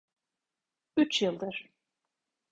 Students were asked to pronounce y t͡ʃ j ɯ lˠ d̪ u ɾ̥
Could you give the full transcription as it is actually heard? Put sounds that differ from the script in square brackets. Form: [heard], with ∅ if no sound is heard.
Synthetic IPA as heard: y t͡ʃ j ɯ lˠ d̪ [ɯ] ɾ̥